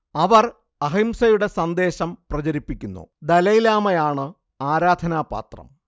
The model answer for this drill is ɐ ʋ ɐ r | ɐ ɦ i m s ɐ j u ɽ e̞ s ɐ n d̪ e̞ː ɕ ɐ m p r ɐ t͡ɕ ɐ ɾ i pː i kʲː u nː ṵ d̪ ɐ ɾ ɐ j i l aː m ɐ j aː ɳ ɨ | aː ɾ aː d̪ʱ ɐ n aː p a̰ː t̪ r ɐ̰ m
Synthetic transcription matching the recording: ɐ ʋ ɐ r | ɐ ɦ i m s ɐ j u ɽ e̞ s ɐ n d̪ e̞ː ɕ ɐ m p r ɐ t͡ɕ ɐ ɾ i pː i kʲː u nː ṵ d̪ ɐ l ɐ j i l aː m ɐ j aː ɳ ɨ | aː ɾ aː d̪ʱ ɐ n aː p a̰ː t̪ r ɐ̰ m